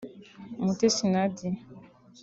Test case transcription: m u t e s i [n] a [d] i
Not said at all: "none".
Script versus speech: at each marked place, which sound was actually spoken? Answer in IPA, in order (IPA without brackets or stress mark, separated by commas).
n, d